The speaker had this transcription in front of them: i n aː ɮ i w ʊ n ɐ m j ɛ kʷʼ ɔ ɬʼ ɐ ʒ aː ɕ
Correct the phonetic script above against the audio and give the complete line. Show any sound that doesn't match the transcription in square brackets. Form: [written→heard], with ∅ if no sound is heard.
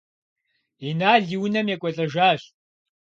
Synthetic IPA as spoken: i n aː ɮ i w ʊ n ɐ m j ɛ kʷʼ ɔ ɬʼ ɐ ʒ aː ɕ